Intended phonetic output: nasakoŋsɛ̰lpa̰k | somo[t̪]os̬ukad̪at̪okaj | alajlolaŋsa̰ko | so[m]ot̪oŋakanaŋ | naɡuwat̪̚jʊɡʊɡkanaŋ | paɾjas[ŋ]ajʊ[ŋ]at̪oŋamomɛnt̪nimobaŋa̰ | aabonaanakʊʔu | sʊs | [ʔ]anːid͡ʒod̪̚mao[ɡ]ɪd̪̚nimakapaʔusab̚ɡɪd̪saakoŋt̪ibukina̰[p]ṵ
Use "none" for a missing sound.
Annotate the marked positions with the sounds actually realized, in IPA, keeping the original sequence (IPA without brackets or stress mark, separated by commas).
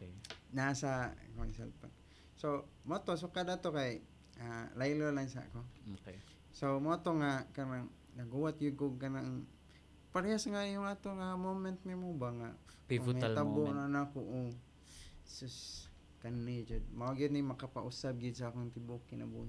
t̪, m, ŋ, ŋ, k, ɡ, b